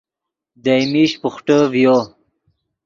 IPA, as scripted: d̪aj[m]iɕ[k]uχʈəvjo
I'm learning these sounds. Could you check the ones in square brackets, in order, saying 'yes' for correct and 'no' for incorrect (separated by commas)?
yes, no